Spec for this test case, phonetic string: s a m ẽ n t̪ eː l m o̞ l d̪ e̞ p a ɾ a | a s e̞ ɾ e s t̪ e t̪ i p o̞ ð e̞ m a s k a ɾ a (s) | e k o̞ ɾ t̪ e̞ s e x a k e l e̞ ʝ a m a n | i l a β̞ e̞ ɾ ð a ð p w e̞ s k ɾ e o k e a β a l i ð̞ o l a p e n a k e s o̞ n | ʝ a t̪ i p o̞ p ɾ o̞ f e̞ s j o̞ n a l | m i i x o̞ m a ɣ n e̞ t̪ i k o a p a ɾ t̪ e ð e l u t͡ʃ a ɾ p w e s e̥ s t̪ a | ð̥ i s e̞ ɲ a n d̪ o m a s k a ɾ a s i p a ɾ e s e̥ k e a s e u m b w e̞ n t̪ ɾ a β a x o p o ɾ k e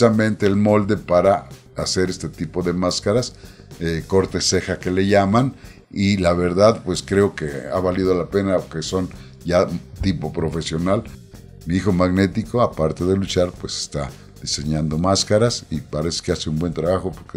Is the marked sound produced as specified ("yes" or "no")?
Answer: yes